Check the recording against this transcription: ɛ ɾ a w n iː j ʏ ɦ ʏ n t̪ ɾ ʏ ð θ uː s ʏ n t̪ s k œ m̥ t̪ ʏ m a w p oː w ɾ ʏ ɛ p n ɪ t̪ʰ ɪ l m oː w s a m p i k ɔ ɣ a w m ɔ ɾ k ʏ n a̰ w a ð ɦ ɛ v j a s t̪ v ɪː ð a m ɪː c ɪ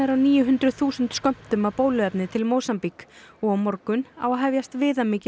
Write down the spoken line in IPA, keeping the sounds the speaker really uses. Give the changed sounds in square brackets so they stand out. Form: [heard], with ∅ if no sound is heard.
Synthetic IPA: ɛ ɾ a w n iː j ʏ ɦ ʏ n t̪ ɾ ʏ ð θ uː s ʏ n t̪ s k œ m̥ t̪ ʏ m a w p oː w [l] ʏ ɛ p n ɪ t̪ʰ ɪ l m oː w s a m p i k ɔ ɣ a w m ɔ ɾ k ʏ n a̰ w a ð ɦ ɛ v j a s t̪ v ɪː ð a m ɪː c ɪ